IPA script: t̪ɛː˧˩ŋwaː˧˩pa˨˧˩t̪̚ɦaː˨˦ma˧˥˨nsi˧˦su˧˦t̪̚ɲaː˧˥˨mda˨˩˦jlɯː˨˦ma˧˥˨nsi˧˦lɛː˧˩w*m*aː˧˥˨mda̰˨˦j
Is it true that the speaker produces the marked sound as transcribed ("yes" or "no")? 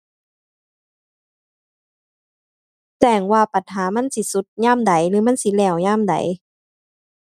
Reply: no